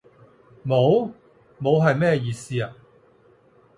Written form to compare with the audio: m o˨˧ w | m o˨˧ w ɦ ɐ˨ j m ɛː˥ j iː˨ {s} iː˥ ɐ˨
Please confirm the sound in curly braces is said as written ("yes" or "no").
yes